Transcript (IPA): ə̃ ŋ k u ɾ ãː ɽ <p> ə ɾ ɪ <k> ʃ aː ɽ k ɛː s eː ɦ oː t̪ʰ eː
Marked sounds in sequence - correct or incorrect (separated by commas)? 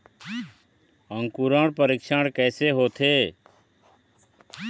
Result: correct, correct